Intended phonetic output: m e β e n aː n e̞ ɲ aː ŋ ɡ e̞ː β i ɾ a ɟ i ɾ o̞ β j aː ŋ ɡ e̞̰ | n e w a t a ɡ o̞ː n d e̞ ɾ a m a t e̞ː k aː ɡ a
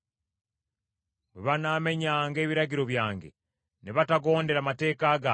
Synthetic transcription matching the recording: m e β a n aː m e̞ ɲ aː ŋ ɡ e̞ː β i ɾ a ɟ i ɾ o̞ β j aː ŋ ɡ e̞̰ | n e β a t a ɡ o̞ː n d e̞ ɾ a m a t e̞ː k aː ɡ a